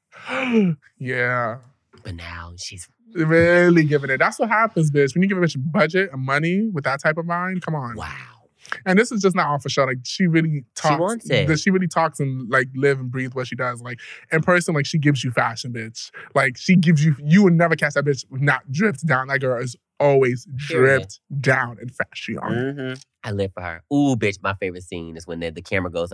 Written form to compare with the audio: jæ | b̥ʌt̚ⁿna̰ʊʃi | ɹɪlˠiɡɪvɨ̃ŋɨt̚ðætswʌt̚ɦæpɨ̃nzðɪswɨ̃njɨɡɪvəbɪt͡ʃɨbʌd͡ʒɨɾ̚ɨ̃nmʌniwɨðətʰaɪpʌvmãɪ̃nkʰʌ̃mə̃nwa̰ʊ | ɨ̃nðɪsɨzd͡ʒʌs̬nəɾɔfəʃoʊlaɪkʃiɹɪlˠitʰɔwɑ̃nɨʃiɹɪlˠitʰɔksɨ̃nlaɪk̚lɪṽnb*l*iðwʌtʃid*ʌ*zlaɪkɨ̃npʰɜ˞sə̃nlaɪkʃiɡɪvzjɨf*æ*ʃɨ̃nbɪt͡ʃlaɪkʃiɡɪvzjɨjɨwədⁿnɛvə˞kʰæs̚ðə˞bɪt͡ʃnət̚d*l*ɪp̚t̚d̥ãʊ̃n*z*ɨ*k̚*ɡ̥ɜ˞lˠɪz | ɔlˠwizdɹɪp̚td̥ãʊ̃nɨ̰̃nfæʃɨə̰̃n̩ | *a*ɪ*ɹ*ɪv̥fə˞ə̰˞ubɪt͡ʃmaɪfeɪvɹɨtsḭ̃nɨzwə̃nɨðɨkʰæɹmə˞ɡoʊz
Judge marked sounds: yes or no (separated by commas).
no, yes, yes, no, no, no, yes, no